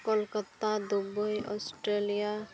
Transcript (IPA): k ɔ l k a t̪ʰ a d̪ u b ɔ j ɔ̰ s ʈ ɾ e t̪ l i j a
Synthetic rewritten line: k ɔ l k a t̪ a d̪ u b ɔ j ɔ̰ s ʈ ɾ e l i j a